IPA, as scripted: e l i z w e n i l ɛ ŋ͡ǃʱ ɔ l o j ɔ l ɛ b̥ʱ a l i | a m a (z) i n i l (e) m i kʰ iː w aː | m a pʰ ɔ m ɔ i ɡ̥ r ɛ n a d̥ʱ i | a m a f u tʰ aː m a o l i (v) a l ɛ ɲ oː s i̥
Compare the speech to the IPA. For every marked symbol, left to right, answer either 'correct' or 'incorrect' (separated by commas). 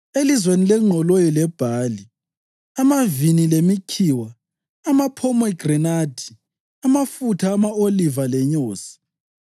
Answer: incorrect, correct, correct